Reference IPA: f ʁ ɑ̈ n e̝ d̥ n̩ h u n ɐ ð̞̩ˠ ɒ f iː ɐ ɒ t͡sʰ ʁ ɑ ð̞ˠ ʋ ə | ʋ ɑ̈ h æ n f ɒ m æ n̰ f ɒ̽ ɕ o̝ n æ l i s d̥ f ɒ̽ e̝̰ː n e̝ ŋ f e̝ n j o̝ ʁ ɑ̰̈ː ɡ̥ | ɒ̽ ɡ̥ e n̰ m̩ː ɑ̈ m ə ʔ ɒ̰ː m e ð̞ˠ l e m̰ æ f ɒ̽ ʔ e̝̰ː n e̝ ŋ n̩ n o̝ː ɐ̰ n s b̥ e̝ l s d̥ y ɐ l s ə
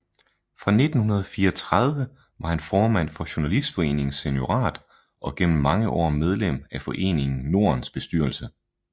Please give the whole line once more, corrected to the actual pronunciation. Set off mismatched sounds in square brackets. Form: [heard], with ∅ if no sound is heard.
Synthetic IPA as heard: f ʁ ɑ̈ n e̝ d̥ n̩ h u n ɐ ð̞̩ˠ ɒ f iː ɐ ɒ t͡sʰ ʁ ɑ ð̞ˠ ʋ ə | ʋ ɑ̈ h æ n f [ɒː] m æ n̰ f ɒ̽ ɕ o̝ n æ l i s d̥ f ɒ̽ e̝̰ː n e̝ ŋ [s] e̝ n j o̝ ʁ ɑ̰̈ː [d̥] | ɒ̽ ɡ̥ e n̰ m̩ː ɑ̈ [ŋ] ə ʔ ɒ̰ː m e ð̞ˠ l e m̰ æ f ɒ̽ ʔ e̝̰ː n e̝ ŋ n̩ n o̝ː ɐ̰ n s b̥ e̝ [∅] s d̥ y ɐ l s ə